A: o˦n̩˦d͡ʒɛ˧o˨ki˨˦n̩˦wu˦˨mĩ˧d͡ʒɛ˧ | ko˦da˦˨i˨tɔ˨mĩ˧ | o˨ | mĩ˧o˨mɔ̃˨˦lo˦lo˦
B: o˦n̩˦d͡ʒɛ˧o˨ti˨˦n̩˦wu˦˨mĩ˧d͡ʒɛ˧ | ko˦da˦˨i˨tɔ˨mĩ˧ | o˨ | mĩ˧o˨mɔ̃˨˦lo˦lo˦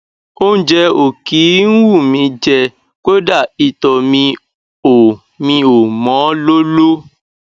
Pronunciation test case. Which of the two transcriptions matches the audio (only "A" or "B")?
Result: A